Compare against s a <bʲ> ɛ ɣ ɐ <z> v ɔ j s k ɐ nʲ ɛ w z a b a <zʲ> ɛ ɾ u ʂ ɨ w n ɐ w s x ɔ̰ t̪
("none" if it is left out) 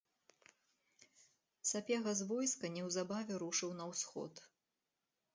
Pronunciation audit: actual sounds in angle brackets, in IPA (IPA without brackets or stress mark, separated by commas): pʲ, z, vʲ